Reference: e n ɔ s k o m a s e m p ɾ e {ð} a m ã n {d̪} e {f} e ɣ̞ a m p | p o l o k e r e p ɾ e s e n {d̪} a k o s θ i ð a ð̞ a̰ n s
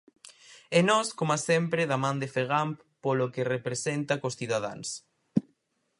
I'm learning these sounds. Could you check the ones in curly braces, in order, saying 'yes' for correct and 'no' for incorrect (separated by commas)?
yes, yes, yes, no